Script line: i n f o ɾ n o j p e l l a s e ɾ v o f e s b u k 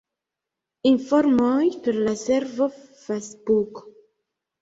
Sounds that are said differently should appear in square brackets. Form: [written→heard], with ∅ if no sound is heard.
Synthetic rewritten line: i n f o ɾ [n→m] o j p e [l→ɾ] l a s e ɾ v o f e s b u k